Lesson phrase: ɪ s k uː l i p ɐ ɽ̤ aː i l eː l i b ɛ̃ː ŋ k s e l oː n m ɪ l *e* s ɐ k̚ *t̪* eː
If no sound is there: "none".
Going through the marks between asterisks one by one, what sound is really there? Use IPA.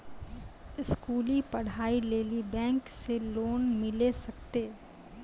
e, t̪

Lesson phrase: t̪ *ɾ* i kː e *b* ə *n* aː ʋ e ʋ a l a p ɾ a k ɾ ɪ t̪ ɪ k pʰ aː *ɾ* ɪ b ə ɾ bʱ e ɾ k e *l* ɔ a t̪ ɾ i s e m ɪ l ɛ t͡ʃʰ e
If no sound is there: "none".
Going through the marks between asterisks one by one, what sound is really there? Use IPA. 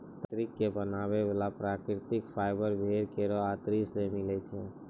ɾ, b, n, none, ɾ

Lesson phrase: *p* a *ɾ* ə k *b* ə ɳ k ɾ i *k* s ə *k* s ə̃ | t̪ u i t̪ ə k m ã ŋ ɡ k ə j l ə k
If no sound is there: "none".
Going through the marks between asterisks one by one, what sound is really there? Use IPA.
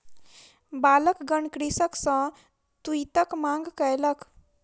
b, l, ɡ, none, k

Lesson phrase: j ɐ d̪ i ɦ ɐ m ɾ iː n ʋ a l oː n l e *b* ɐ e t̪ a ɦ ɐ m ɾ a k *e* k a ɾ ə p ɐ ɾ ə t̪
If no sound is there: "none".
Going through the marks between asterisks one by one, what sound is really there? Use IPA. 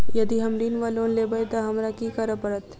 b, i

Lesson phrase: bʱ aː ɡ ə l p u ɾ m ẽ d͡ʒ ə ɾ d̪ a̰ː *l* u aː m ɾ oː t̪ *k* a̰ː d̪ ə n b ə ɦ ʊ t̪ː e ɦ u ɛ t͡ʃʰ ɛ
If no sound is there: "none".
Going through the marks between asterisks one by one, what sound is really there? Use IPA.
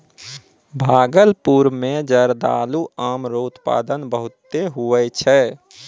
l, p

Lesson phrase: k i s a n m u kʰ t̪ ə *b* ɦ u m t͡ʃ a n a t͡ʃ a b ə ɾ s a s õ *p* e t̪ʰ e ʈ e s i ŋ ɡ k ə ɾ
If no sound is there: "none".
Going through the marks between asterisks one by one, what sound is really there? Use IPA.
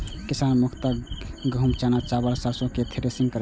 ɡ, k

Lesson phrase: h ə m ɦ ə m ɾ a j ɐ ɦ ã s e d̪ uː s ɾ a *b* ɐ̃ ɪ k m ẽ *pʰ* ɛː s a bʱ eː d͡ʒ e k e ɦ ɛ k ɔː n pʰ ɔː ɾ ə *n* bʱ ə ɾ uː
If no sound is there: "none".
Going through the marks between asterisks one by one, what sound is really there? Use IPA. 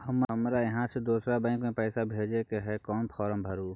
b, p, m

